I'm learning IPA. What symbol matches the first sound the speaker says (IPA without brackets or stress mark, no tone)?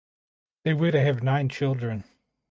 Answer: ð